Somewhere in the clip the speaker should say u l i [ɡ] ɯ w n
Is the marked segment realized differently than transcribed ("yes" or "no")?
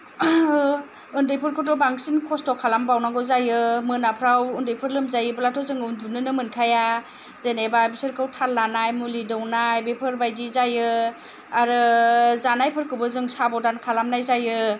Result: yes